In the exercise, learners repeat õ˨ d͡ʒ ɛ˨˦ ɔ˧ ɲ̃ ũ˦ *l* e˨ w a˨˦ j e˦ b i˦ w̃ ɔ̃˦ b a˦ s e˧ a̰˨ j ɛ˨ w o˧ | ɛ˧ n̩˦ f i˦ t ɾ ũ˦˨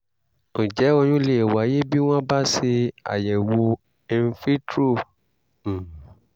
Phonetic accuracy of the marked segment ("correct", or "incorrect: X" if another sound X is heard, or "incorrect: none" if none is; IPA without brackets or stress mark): correct